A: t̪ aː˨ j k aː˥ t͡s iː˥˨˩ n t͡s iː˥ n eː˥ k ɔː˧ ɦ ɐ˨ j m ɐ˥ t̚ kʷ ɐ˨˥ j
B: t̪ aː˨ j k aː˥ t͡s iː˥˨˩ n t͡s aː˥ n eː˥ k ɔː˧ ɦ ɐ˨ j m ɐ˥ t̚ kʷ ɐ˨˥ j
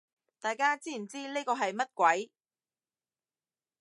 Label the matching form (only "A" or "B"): A